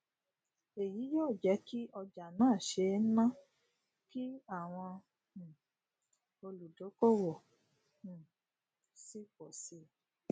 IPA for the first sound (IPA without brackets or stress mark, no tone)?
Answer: e